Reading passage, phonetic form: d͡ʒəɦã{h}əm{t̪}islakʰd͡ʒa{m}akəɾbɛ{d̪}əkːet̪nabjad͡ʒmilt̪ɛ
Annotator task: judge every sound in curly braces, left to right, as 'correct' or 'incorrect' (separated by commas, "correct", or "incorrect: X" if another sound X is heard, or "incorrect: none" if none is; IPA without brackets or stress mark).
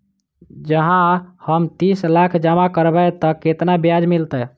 correct, correct, correct, incorrect: t̪